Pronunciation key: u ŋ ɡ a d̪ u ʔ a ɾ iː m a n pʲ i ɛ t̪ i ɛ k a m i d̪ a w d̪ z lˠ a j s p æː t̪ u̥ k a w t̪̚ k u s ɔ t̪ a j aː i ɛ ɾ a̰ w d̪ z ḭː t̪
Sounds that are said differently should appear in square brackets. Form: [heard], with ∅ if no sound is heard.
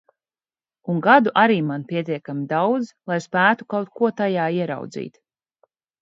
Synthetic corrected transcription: u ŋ ɡ a d̪ u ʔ a ɾ iː m a n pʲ i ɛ t̪ i ɛ k a m i d̪ a w d̪ z lˠ a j s p æː t̪ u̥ k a w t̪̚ k u [∅] ɔ t̪ a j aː i ɛ ɾ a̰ w d̪ z ḭː t̪